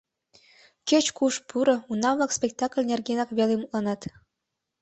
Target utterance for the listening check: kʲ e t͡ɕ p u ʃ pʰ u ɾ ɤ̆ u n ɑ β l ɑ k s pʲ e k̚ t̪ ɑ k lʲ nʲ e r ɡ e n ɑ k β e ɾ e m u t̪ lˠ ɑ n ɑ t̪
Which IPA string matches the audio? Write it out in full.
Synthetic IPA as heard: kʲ e t͡ɕ k u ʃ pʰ u ɾ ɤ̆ u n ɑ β l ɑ k s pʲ e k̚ t̪ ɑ k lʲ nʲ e r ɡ e n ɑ k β e l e m u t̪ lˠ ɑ n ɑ t̪